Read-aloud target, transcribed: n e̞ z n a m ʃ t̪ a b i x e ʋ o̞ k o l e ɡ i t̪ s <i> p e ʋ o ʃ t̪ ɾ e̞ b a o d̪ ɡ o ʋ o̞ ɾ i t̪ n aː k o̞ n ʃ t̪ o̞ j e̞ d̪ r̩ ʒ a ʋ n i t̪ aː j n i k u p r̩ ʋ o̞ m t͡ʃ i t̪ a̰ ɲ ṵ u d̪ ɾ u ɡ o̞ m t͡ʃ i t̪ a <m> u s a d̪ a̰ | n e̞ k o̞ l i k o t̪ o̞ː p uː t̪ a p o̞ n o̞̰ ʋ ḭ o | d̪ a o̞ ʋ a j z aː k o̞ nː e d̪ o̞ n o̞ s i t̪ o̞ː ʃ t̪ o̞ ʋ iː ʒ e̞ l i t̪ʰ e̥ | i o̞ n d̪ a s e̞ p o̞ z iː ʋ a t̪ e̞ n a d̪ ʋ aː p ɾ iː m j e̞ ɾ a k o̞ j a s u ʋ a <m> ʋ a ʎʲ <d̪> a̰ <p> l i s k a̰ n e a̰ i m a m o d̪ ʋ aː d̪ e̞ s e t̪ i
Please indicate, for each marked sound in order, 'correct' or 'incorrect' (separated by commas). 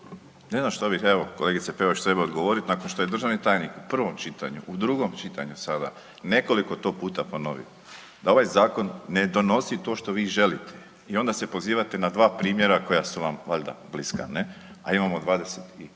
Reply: incorrect, incorrect, correct, correct, incorrect